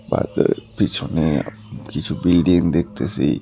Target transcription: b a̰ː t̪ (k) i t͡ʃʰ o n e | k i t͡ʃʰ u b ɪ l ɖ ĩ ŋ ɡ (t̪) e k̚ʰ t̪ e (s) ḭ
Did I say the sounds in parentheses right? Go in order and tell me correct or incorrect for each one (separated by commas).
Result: incorrect, incorrect, correct